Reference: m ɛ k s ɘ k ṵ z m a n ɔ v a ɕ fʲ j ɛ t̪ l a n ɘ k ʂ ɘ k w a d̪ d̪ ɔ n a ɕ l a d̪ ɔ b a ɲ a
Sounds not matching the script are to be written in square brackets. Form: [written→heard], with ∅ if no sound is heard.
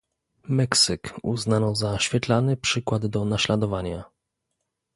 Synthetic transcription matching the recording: m ɛ k s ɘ k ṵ z [m→n] a n ɔ [v→z] a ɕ fʲ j ɛ t̪ l a n ɘ [k→p] ʂ ɘ k w a d̪ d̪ ɔ n a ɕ l a d̪ ɔ [b→v] a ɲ a